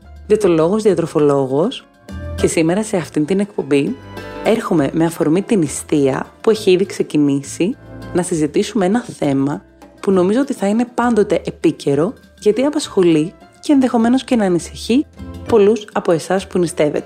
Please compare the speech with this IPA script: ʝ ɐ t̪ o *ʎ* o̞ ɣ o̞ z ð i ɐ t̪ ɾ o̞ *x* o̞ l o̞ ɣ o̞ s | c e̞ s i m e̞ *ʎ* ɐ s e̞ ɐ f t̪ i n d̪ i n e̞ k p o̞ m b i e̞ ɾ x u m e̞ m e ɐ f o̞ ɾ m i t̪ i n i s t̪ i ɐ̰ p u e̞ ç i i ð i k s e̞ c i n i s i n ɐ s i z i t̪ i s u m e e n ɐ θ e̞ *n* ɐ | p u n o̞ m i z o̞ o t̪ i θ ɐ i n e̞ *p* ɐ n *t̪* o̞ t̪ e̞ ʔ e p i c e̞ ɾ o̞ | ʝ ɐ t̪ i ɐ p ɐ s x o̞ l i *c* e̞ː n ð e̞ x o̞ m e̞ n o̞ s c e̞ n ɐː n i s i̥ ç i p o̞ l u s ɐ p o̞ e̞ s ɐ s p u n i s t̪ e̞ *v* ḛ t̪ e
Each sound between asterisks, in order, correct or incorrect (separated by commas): incorrect, incorrect, incorrect, incorrect, correct, incorrect, correct, correct